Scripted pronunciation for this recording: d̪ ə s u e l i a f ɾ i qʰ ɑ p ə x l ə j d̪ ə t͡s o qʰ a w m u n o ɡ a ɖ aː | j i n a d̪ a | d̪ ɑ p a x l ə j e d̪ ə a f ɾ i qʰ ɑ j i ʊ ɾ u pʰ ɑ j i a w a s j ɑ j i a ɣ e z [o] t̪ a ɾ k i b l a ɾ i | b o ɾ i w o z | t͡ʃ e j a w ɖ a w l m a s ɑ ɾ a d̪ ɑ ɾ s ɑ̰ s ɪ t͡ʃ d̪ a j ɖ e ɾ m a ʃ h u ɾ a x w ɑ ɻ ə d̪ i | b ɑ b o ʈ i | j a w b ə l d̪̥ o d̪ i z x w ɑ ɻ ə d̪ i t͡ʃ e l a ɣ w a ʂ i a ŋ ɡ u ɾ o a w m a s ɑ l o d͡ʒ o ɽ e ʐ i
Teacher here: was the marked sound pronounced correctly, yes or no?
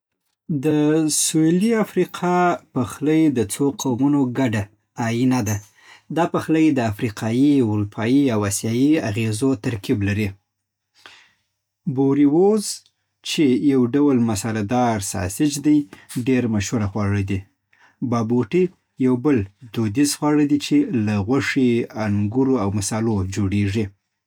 yes